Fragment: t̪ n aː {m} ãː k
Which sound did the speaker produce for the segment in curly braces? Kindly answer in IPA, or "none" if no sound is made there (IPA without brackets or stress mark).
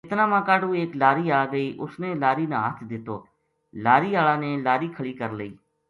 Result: m